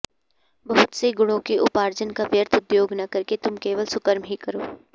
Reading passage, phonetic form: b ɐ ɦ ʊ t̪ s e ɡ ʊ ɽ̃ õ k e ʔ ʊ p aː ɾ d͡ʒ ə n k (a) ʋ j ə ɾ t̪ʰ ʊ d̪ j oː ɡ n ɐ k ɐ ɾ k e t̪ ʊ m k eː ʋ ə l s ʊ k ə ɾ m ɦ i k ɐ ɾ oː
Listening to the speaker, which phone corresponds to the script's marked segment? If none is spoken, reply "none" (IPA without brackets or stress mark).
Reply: a